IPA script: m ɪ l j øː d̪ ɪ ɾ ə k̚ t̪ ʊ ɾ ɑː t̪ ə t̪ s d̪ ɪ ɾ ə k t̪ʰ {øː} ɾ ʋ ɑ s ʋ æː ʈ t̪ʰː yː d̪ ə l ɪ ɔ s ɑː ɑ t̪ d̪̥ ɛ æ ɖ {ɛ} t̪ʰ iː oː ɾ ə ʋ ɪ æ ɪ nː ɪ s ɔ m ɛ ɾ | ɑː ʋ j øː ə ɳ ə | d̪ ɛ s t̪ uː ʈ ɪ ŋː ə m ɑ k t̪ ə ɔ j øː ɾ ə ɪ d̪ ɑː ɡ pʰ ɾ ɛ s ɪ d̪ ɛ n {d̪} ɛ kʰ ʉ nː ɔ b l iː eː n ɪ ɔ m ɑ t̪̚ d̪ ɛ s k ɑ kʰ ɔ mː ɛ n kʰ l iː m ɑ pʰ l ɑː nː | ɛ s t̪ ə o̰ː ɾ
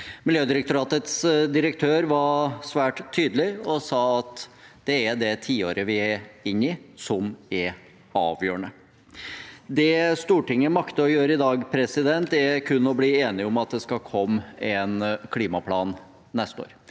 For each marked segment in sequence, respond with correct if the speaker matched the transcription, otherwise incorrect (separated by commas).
correct, correct, incorrect